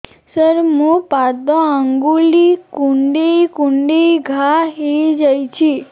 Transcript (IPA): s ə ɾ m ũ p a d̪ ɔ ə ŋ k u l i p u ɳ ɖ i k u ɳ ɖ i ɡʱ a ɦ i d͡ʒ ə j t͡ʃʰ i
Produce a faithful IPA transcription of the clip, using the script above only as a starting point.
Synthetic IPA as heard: s ə ɾ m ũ p a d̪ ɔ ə ŋ ɡ u l i k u ɳ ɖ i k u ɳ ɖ i ɡʱ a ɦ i d͡ʒ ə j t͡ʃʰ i